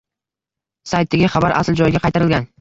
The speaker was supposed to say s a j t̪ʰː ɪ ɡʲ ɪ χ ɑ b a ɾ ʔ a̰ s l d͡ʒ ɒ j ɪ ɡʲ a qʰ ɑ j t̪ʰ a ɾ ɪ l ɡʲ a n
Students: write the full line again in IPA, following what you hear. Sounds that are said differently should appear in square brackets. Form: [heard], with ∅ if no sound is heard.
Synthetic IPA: s a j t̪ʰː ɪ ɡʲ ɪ χ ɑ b a ɾ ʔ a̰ s l d͡ʒ ɒ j ɪ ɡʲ a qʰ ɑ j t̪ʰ a ɾ ɪ l ɡʲ a n